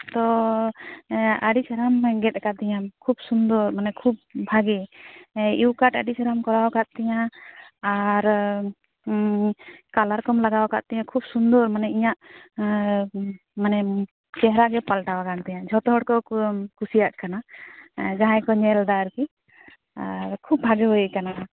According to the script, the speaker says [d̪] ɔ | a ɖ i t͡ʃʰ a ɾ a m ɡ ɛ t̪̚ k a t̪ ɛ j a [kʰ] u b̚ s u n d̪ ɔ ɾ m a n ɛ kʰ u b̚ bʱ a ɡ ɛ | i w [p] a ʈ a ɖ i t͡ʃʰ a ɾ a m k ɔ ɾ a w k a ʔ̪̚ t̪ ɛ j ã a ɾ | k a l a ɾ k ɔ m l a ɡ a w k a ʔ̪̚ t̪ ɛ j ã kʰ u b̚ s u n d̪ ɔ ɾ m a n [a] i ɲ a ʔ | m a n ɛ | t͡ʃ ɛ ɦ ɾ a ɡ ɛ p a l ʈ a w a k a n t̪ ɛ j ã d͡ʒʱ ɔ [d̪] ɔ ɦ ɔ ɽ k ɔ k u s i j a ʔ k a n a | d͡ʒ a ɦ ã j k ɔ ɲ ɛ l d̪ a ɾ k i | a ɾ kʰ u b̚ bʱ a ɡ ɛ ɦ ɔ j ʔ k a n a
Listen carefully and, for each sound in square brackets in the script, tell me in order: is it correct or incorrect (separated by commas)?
incorrect, correct, incorrect, incorrect, incorrect